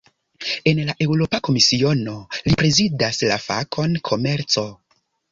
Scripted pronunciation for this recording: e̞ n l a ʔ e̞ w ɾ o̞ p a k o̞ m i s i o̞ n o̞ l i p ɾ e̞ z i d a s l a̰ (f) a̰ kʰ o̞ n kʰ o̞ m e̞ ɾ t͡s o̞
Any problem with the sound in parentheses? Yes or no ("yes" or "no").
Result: no